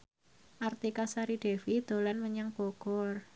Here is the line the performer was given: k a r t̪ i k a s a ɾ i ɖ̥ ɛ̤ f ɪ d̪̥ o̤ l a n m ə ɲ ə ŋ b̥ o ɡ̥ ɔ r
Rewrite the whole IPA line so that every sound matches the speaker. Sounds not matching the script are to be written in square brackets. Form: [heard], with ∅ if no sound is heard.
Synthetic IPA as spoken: [ʔ] a r t̪ i k a s a ɾ i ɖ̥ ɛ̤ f [i] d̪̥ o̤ l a n m ə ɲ [a] ŋ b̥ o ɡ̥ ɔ r